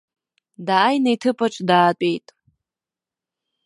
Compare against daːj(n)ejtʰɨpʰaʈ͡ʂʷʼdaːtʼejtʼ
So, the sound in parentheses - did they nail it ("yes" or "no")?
yes